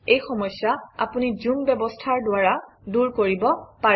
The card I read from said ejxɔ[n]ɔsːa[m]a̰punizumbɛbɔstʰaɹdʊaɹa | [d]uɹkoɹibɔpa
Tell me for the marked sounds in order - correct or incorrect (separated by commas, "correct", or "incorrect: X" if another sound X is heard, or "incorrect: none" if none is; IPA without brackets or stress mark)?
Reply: incorrect: m, incorrect: none, correct